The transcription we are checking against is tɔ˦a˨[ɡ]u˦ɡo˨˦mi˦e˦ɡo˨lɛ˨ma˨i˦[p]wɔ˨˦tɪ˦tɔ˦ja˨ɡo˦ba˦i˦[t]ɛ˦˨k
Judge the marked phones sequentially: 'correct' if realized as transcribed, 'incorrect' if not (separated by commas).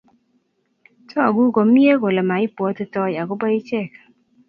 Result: correct, correct, incorrect